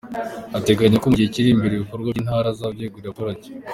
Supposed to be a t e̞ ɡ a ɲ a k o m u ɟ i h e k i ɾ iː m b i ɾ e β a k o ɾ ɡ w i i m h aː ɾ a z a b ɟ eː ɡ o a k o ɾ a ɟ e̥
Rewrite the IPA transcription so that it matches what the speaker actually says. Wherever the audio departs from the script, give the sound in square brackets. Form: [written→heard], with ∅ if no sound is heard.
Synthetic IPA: a t e̞ ɡ a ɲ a k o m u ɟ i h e [k→c] i ɾ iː m b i ɾ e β [a→i] k o ɾ ɡ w [i→a] i [m→n] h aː ɾ a z a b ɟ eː ɡ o a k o ɾ a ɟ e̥